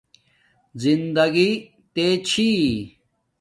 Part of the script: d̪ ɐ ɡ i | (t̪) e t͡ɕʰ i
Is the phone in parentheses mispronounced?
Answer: no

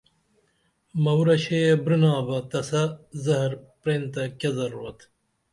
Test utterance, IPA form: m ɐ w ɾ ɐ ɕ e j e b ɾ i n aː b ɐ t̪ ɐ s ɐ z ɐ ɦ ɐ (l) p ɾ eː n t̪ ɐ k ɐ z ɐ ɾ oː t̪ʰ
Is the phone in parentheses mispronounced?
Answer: yes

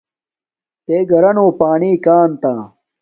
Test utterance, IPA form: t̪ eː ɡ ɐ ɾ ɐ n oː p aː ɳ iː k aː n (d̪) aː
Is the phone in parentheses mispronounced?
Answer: yes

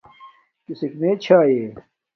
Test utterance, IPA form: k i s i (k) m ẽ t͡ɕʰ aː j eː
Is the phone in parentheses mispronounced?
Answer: no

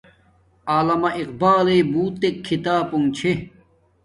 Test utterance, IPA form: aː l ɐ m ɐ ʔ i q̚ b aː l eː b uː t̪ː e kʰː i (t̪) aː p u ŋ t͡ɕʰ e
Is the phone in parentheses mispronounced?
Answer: no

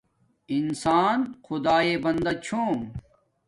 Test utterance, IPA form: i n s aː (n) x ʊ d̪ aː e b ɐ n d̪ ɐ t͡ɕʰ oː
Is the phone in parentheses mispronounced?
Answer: no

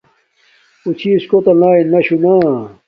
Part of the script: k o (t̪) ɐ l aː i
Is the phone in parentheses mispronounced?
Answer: no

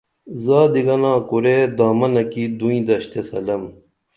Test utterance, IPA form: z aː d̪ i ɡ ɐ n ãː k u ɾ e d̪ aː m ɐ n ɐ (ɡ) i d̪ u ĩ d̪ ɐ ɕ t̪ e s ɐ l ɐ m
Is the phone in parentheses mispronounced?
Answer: yes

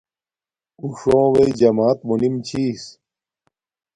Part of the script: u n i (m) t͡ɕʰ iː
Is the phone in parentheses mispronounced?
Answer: no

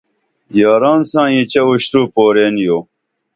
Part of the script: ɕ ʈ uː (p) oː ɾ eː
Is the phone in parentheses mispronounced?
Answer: no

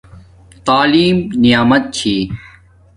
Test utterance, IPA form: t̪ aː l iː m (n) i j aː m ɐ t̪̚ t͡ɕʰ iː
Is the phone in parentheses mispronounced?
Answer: no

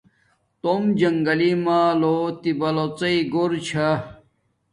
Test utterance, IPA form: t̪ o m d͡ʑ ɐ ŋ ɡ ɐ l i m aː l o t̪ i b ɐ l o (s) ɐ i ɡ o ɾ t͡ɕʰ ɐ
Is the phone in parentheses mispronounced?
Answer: yes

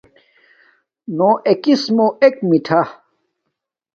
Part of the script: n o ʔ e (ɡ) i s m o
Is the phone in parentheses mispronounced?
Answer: yes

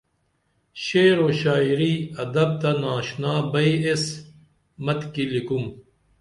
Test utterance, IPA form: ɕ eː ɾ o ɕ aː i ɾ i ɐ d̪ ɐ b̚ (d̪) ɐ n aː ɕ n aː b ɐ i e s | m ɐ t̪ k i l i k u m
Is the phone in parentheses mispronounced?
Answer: yes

